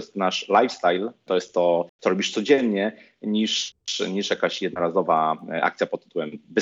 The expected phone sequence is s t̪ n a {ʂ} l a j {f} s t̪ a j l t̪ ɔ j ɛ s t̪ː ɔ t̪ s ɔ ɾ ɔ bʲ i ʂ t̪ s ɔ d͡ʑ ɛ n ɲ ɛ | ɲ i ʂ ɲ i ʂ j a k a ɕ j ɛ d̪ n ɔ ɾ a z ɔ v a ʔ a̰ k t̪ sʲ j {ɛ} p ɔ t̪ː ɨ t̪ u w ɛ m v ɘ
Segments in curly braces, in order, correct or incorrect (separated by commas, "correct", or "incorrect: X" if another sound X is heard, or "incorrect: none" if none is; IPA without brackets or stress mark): correct, correct, incorrect: a